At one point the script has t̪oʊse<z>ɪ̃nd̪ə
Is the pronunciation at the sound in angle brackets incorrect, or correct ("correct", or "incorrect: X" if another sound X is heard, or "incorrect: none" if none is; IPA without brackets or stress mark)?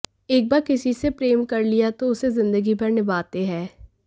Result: correct